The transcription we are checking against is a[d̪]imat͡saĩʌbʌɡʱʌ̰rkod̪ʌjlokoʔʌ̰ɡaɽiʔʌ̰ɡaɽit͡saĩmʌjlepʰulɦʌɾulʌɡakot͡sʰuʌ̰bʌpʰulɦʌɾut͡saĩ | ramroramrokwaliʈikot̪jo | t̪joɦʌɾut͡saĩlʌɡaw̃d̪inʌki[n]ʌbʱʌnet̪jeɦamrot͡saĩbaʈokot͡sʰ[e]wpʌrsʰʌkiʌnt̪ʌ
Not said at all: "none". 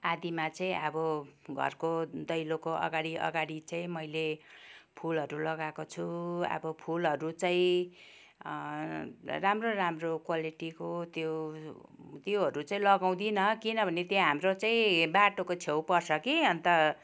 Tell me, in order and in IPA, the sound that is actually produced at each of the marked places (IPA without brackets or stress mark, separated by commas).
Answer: d̪, n, e